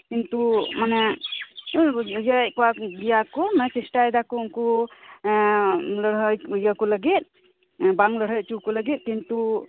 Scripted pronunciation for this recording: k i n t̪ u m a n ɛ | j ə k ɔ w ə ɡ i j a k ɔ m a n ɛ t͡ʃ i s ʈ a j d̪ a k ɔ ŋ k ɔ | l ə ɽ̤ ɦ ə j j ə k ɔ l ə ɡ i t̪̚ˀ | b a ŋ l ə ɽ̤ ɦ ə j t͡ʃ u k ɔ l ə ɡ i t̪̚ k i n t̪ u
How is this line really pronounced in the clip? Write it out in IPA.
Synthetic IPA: k i n t̪ u m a n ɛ | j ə k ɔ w a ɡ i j a k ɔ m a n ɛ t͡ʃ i s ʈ a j d̪ a k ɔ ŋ k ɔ | l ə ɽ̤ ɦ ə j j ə k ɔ l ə ɡ i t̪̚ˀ | b a ŋ l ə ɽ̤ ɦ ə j t͡ʃ u k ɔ l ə ɡ i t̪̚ k i n t̪ u